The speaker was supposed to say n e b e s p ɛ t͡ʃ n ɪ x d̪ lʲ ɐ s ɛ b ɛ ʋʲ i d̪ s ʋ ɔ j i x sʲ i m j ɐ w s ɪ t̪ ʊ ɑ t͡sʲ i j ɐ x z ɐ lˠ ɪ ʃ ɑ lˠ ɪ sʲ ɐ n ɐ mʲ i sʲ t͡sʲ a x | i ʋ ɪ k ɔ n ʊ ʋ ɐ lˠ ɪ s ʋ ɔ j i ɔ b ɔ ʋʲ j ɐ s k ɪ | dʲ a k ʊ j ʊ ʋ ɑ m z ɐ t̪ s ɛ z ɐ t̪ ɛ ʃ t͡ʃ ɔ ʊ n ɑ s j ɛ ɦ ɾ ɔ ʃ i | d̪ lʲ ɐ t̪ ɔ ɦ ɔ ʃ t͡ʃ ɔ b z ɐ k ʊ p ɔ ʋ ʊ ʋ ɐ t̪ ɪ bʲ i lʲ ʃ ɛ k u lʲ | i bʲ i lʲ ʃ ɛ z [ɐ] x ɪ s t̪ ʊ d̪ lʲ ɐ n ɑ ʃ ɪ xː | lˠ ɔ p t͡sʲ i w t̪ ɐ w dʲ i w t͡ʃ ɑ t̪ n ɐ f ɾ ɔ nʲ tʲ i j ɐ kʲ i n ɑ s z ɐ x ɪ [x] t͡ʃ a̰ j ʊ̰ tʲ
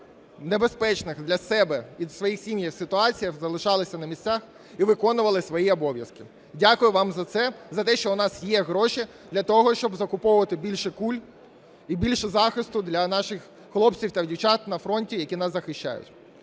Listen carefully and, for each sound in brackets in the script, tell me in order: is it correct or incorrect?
incorrect: ɑ, incorrect: ʃ

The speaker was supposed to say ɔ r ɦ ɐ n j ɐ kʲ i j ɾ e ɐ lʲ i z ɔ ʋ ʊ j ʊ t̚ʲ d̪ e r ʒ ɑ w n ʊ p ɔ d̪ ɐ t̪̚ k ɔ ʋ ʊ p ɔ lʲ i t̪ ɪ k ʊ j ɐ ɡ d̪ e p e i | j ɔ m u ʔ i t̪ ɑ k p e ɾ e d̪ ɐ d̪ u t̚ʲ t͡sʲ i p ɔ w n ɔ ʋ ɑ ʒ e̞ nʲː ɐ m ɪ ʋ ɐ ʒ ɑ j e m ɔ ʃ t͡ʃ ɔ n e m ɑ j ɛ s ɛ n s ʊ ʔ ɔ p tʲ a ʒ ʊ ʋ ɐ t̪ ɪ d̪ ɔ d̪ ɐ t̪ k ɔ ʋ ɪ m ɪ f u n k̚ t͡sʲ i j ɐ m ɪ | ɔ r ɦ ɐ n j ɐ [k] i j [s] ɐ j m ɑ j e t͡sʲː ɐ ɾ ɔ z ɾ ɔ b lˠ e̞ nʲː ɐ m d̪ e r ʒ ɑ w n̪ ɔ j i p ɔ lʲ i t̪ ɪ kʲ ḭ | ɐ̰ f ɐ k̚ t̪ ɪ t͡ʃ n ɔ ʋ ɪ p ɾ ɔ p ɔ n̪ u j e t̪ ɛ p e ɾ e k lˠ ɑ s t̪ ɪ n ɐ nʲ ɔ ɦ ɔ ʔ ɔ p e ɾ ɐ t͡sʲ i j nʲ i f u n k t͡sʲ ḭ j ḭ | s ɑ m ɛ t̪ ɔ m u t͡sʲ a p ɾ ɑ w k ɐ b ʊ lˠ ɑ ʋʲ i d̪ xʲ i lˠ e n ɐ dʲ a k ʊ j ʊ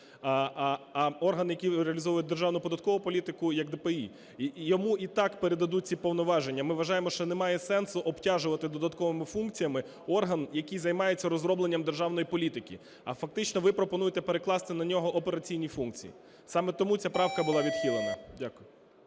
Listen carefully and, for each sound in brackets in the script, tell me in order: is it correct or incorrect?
correct, incorrect: z

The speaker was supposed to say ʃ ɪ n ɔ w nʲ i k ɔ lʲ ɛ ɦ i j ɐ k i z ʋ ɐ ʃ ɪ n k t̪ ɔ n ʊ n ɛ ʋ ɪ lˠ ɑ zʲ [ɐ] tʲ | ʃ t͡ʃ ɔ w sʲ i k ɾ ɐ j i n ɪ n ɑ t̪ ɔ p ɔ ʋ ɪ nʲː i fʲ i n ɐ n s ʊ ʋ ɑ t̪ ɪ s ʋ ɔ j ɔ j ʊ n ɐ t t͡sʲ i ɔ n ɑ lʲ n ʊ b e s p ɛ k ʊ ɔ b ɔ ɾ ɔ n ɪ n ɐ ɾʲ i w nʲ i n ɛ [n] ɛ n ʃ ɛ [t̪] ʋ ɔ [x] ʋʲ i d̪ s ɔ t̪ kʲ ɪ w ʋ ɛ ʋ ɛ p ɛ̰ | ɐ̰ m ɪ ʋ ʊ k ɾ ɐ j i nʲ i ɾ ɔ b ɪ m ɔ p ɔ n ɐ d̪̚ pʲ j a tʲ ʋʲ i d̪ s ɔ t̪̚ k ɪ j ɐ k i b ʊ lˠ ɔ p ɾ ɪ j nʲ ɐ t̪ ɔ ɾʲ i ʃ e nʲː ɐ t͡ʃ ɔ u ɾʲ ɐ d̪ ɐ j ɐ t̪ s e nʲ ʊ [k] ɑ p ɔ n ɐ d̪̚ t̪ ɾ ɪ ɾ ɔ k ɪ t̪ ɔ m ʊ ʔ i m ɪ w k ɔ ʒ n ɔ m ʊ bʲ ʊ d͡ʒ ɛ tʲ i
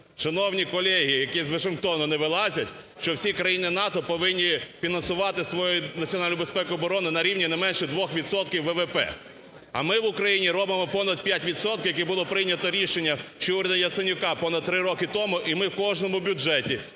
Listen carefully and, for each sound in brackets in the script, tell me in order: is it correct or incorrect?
correct, incorrect: m, incorrect: d̪, correct, correct

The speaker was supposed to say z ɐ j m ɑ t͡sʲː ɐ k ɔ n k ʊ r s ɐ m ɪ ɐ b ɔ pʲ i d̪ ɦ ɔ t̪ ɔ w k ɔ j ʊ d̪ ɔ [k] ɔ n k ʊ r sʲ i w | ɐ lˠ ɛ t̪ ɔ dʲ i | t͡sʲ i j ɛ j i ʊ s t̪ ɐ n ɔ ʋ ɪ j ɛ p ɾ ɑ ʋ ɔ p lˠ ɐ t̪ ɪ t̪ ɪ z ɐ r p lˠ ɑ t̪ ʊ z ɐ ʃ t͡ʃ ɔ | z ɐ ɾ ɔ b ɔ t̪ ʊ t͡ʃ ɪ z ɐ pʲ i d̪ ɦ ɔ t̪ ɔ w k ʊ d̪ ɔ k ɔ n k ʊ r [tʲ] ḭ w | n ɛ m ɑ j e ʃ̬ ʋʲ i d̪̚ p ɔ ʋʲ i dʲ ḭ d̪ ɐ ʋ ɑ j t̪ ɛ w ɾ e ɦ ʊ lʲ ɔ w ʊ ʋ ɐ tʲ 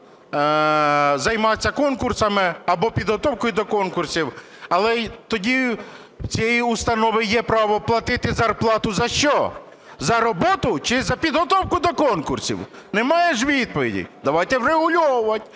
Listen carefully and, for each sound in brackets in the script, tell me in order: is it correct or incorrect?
correct, incorrect: sʲ

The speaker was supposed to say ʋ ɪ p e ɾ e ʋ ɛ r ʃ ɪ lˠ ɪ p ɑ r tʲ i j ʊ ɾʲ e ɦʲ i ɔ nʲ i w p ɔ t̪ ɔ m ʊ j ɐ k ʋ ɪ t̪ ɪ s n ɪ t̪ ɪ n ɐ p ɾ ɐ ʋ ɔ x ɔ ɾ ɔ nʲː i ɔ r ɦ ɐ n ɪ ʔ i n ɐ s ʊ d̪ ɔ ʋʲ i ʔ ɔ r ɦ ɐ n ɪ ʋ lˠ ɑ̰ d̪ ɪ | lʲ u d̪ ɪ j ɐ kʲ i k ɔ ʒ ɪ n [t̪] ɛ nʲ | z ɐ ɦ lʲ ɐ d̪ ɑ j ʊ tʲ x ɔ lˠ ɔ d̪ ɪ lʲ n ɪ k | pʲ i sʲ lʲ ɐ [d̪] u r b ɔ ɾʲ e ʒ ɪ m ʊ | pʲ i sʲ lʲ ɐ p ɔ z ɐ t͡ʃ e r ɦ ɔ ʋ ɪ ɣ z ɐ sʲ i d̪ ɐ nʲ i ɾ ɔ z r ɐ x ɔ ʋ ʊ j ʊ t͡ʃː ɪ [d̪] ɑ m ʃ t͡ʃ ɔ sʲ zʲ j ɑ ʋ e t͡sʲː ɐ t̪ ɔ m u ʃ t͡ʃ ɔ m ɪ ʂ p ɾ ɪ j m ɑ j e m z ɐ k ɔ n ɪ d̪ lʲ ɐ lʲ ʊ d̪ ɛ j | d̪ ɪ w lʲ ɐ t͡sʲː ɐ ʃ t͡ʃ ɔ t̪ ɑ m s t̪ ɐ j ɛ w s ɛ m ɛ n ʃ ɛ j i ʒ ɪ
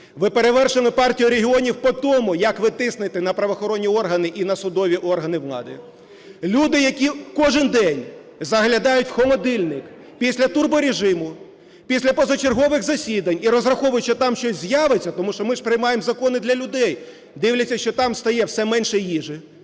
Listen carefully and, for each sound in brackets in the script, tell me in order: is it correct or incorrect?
incorrect: d̪, incorrect: t̪, incorrect: t̪

